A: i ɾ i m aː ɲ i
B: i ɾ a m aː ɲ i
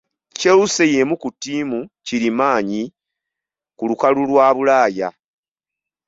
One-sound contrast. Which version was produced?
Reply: A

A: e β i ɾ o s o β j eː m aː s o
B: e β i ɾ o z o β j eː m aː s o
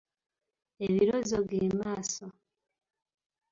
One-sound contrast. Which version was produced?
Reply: B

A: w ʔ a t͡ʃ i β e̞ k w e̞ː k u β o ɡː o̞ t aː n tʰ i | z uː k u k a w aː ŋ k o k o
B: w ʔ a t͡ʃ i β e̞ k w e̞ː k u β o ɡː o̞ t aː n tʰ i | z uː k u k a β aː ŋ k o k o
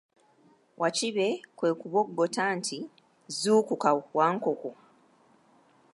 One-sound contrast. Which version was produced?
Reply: A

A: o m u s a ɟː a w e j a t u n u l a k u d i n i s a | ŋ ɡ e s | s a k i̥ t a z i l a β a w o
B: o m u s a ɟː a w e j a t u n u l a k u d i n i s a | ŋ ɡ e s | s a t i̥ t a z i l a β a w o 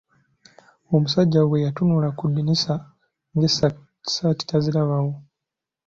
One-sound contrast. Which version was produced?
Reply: B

